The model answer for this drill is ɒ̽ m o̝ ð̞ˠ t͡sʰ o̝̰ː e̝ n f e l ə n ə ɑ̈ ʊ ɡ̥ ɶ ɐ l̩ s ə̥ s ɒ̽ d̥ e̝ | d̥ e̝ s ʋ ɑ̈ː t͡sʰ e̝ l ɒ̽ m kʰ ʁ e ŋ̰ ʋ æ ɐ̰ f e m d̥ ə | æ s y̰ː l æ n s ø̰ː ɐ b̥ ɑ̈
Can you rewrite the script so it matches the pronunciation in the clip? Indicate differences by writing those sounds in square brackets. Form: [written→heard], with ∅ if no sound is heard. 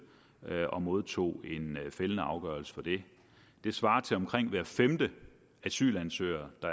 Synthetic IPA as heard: ɒ̽ m o̝ ð̞ˠ t͡sʰ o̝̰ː e̝ n f e l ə n ə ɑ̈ ʊ ɡ̥ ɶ ɐ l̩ s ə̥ [s→f] ɒ̽ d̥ e̝ | d̥ e̝ s ʋ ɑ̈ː t͡sʰ e̝ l ɒ̽ m kʰ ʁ e ŋ̰ ʋ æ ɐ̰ f e m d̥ ə | æ s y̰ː l æ n s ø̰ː ɐ [b̥→d̥] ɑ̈

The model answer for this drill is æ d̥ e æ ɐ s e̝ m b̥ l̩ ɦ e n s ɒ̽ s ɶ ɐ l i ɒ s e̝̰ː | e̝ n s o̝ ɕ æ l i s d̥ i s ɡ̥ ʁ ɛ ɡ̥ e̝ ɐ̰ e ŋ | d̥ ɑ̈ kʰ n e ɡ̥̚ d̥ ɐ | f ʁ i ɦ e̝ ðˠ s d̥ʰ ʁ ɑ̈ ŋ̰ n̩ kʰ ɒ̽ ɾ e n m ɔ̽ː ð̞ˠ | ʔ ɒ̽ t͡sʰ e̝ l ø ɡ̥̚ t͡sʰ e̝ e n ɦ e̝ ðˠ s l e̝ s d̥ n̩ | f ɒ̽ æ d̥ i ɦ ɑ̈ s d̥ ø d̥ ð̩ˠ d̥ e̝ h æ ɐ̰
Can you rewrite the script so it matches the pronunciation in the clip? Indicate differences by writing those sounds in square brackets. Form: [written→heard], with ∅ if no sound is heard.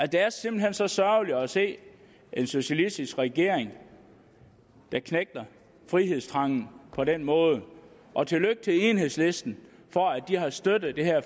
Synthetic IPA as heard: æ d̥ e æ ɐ s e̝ m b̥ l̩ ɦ e n s ɒ̽ s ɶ ɐ l i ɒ s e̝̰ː | e̝ n s o̝ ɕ æ l i s d̥ i s ɡ̥ ʁ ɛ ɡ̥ e̝ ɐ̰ e ŋ | d̥ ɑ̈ kʰ n e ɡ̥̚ d̥ ɐ | f ʁ i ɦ e̝ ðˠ s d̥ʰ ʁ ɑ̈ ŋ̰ n̩ [kʰ→pʰ] ɒ̽ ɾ e n m ɔ̽ː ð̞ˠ | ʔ ɒ̽ t͡sʰ e̝ l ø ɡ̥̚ t͡sʰ e̝ e n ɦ e̝ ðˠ s l e̝ s d̥ n̩ | f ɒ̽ æ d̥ i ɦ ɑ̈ s d̥ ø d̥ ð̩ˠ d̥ e̝ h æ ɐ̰

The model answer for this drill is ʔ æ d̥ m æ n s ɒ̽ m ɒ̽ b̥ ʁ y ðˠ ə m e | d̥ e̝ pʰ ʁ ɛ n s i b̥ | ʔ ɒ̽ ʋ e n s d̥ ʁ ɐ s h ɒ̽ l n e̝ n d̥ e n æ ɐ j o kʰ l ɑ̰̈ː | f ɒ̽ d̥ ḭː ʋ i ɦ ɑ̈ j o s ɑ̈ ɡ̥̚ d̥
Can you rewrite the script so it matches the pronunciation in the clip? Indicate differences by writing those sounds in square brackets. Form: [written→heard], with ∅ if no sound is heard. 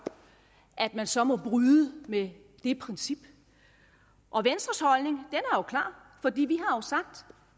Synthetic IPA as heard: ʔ æ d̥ m æ n s ɒ̽ m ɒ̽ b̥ ʁ y ðˠ ə m e | d̥ e̝ pʰ ʁ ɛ n s i b̥ | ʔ ɒ̽ ʋ e n s d̥ ʁ ɐ s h ɒ̽ l n e̝ [n→ŋ] d̥ e n æ ɐ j o kʰ l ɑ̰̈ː | f ɒ̽ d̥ ḭː ʋ i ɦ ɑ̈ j o s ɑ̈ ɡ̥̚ d̥

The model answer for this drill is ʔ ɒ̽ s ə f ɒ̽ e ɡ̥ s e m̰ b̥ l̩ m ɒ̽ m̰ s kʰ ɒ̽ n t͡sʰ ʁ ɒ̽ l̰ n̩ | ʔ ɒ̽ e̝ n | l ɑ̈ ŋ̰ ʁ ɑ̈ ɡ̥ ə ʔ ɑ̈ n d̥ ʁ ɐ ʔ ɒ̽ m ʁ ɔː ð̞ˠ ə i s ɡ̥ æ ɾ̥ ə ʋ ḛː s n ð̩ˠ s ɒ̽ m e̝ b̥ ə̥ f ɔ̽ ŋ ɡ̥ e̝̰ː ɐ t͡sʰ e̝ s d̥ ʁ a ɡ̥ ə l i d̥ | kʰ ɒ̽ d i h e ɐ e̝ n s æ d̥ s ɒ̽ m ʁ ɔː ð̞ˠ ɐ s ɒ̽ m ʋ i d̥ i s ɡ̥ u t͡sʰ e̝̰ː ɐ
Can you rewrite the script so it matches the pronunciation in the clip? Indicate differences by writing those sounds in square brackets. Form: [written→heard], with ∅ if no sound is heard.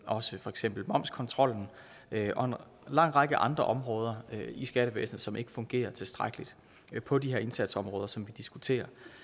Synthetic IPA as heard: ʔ ɒ̽ s ə f ɒ̽ e ɡ̥ s e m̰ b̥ l̩ m ɒ̽ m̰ s kʰ ɒ̽ n t͡sʰ ʁ ɒ̽ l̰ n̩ | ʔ ɒ̽ e̝ n | l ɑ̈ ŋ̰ ʁ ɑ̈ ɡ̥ ə ʔ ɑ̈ n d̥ ʁ ɐ ʔ ɒ̽ m ʁ ɔː ð̞ˠ [ə→ɐ] i s ɡ̥ æ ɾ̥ ə ʋ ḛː s n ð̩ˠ s ɒ̽ m e̝ [b̥→ɡ̥] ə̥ f ɔ̽ ŋ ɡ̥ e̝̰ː ɐ t͡sʰ e̝ s d̥ ʁ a ɡ̥ ə l i d̥ | [kʰ→pʰ] ɒ̽ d i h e ɐ e̝ n s æ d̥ s ɒ̽ m ʁ ɔː ð̞ˠ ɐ s ɒ̽ m ʋ i d̥ i s ɡ̥ u t͡sʰ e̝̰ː ɐ

